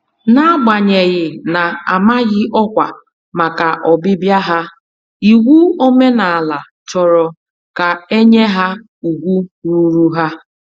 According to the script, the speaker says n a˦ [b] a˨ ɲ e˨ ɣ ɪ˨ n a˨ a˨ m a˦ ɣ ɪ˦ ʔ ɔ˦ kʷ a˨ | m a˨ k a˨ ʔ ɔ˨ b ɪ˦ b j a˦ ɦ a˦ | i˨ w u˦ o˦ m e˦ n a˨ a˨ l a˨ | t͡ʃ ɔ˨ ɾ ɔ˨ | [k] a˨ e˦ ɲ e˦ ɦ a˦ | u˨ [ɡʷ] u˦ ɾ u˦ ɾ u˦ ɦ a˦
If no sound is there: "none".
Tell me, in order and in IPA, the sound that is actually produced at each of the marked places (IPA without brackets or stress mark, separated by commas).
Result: ɡ͡b, k, ɡʷ